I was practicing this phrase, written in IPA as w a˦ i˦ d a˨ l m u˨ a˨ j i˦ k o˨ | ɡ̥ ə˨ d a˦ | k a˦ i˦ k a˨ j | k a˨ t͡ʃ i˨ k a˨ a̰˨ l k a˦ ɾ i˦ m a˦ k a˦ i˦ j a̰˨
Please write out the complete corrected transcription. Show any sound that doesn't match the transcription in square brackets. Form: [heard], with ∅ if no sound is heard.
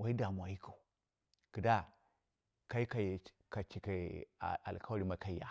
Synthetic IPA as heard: w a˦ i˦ d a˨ [∅] m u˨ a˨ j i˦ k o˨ | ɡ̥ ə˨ d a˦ | k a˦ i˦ k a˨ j | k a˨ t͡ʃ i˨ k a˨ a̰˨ l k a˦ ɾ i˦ m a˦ k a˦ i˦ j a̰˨